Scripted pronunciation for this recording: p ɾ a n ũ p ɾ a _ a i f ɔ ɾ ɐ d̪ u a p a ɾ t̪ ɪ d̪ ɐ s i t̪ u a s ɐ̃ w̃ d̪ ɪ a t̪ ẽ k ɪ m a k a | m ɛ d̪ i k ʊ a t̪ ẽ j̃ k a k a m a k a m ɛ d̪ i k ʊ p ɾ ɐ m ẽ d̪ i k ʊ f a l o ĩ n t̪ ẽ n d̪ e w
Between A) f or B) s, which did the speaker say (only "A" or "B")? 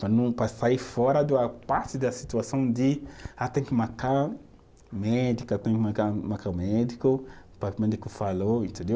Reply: B